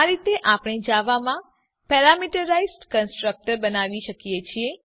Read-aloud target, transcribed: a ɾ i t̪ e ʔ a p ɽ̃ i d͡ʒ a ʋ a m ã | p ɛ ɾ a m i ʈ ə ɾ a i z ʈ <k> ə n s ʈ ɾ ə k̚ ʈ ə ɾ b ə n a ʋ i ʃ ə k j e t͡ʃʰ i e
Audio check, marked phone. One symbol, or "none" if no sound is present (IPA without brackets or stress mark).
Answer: k